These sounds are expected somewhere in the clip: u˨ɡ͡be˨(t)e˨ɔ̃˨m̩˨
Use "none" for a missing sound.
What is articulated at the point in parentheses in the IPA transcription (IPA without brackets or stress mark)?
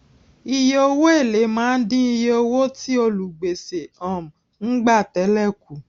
s